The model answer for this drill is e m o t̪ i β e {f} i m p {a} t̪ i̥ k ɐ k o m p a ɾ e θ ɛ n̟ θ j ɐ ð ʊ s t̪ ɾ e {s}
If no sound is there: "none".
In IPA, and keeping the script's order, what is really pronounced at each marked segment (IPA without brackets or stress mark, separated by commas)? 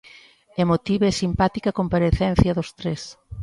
s, a, s